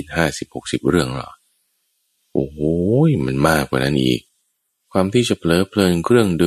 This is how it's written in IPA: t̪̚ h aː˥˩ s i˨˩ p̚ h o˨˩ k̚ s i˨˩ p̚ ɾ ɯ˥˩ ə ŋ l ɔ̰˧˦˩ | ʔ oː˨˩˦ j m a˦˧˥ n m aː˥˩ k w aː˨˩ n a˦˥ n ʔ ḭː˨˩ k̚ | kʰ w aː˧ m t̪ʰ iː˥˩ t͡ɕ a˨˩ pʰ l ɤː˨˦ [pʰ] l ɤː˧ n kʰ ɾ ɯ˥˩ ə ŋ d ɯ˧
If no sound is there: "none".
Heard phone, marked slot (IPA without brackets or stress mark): pʰ